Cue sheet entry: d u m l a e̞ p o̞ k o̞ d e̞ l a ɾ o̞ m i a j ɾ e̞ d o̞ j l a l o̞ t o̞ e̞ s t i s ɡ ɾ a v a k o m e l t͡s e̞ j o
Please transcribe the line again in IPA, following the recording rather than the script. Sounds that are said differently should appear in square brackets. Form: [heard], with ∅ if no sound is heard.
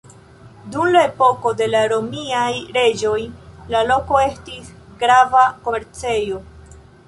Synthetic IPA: d u m l a e̞ p o̞ k o̞ d e̞ l a ɾ o̞ m i a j ɾ e̞ [d͡ʒ] o̞ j l a l o̞ [k] o̞ e̞ s t i s ɡ ɾ a v a k o m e [ɾ] t͡s e̞ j o